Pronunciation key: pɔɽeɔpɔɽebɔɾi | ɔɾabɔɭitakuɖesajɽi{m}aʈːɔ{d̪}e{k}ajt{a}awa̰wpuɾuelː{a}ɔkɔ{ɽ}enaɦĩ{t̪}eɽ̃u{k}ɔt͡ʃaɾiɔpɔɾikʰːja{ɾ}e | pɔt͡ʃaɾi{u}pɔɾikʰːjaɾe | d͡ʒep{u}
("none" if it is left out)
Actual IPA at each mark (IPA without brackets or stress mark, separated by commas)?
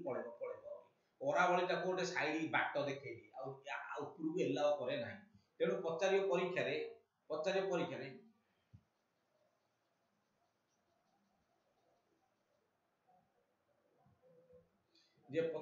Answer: b, d̪, kʰ, i, a, ɾ, t̪, p, ɾ, ɔ, ɔ